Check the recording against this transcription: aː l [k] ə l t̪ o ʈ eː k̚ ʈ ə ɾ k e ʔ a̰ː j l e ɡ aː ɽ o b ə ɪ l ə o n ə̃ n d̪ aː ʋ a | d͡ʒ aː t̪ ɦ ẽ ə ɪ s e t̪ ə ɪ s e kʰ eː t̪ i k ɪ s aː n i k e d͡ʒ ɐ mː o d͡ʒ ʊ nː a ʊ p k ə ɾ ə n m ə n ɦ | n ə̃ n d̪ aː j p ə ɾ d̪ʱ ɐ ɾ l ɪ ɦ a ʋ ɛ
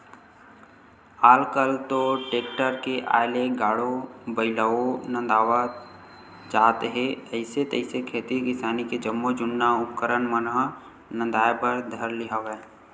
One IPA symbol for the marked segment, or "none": k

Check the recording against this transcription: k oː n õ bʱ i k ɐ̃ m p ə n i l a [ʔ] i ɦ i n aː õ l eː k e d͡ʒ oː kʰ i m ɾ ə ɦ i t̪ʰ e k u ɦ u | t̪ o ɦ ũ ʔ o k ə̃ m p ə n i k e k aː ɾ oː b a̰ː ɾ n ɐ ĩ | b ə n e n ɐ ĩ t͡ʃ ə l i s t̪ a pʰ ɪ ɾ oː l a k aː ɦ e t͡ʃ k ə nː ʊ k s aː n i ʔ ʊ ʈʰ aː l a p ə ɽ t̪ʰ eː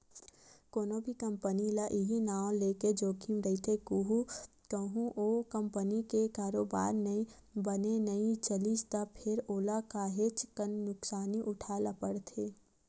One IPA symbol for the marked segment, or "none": ʔ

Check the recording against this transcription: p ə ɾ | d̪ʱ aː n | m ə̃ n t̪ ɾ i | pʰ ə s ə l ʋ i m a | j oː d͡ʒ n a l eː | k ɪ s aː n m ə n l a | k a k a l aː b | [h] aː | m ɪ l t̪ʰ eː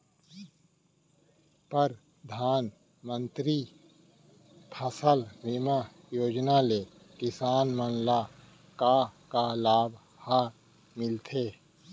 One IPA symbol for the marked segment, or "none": h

